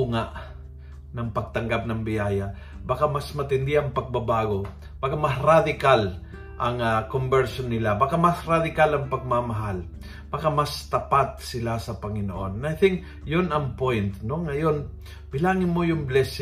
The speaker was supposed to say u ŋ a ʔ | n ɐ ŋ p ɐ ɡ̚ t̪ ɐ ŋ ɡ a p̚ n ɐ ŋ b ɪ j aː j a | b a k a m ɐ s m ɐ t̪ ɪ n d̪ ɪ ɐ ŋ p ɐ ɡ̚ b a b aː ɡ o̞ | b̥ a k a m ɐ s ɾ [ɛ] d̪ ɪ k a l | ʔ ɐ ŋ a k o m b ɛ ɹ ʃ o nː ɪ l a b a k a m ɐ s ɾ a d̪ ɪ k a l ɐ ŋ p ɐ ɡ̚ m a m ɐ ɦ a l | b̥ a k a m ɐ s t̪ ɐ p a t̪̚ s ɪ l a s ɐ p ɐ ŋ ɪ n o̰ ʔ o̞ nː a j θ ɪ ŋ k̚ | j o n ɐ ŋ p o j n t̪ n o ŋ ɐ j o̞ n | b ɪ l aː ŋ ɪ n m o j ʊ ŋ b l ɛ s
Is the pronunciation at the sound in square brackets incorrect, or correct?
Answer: incorrect